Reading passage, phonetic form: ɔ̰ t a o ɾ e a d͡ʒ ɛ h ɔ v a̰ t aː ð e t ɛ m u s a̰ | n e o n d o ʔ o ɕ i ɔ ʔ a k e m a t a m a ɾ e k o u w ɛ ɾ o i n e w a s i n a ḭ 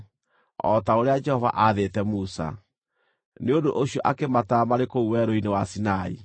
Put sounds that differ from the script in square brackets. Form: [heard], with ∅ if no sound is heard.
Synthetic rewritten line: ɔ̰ t a o ɾ e a d͡ʒ ɛ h ɔ v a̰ [ʔ] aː ð e t ɛ m u s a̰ | n e o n d o ʔ o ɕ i ɔ ʔ a k e m a t a m a ɾ e k o u w ɛ ɾ o i n e w a s i n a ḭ

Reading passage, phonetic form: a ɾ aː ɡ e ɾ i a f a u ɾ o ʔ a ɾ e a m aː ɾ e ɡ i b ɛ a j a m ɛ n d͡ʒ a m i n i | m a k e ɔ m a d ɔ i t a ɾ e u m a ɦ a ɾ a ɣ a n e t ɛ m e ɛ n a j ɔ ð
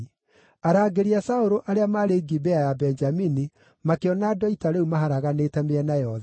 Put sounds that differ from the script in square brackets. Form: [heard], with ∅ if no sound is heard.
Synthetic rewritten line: a ɾ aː ɡ e ɾ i a [s] a [o] ɾ o ʔ a ɾ e a m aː ɾ e ɡ i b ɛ a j a [b] ɛ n d͡ʒ a m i n i | m a k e ɔ [n] a d ɔ i t a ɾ e u m a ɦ a ɾ a ɣ a n e t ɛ m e ɛ n a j ɔ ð

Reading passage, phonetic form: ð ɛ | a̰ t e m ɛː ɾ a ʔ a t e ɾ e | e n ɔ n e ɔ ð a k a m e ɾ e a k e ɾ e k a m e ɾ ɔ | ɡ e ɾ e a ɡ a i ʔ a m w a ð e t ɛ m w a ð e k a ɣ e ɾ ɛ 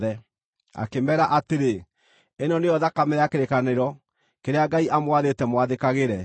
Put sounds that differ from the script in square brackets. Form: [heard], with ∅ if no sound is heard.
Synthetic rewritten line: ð ɛ | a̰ [k] e m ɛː ɾ a ʔ a t e ɾ e | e n ɔ n e ɔ ð a k a m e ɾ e a k e ɾ e k a [n] e ɾ ɔ | [k] e ɾ e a ɡ a i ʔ a m w a ð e t ɛ m w a ð e k a ɣ e ɾ ɛ

